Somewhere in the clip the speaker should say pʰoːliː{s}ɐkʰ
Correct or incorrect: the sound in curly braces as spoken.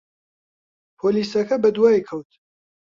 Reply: correct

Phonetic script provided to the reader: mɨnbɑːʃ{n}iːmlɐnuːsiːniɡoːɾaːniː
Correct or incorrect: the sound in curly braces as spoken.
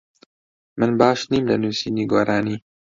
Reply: correct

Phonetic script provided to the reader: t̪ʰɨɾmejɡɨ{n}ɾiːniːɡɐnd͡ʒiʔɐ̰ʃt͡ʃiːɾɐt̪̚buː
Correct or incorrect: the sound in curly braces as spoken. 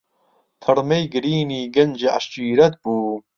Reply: incorrect: none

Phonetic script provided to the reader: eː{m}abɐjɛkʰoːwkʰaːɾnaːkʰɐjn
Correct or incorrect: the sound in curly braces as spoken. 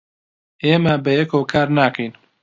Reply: correct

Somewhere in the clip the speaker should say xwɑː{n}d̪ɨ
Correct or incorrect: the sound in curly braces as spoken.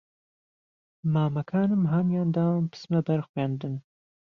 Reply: correct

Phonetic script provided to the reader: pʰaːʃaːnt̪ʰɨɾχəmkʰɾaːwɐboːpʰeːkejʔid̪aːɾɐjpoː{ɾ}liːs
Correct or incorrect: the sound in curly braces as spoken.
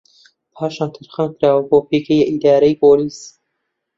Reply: incorrect: none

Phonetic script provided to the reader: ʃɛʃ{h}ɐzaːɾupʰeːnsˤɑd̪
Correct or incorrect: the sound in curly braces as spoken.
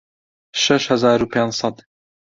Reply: correct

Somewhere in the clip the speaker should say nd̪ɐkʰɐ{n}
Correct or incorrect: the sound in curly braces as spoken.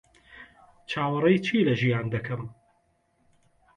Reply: incorrect: m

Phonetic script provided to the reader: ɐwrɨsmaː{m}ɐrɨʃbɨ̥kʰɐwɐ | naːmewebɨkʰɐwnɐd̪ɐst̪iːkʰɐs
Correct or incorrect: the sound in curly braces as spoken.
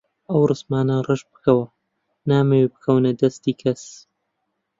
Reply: incorrect: n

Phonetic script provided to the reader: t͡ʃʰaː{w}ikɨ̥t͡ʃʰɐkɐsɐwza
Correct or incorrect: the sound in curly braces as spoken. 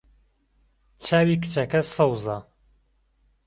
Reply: correct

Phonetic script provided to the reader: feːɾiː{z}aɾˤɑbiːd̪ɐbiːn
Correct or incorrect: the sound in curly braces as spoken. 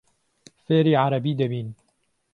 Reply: incorrect: ʕ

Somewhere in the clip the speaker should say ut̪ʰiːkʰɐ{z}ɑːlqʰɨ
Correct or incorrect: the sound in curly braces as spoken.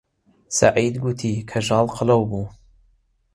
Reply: incorrect: ʒ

